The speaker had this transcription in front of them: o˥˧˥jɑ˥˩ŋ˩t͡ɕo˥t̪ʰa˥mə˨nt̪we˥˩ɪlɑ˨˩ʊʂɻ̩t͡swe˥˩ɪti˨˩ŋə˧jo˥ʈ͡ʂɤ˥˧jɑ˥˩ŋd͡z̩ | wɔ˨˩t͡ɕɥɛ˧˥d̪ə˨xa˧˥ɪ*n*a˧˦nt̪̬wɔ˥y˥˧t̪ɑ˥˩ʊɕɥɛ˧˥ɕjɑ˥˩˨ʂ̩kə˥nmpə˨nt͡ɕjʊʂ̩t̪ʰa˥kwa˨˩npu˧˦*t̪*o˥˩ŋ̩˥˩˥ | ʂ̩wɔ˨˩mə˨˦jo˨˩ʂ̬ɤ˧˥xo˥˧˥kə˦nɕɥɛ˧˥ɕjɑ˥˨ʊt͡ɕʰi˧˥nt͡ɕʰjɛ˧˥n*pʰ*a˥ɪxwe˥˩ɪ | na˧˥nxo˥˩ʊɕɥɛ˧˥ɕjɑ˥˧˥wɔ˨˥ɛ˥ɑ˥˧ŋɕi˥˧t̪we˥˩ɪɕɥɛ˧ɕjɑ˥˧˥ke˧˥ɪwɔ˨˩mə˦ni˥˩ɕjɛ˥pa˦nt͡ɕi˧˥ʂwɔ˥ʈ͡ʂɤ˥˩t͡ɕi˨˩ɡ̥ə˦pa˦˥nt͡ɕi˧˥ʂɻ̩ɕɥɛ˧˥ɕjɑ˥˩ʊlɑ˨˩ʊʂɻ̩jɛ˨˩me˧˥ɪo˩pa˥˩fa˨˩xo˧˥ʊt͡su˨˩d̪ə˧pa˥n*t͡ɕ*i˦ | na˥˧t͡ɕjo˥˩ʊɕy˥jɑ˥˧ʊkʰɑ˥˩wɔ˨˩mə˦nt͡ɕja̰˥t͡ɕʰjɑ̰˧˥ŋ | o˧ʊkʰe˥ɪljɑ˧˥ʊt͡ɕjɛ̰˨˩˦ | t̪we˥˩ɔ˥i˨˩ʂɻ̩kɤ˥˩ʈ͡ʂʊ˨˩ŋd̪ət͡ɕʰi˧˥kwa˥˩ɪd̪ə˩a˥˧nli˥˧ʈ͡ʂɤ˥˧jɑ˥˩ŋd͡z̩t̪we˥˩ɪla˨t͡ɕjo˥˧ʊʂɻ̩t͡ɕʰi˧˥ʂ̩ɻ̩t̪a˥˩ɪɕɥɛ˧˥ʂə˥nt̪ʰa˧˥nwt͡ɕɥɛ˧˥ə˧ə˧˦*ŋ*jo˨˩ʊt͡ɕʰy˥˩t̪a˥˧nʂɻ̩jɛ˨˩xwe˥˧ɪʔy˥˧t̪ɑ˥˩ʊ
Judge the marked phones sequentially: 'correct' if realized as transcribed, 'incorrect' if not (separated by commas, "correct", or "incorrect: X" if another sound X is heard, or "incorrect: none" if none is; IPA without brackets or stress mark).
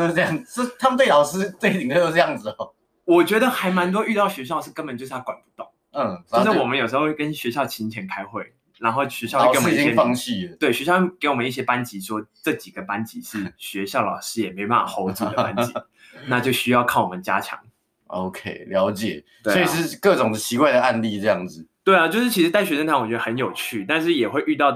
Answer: incorrect: m, correct, incorrect: kʰ, correct, incorrect: n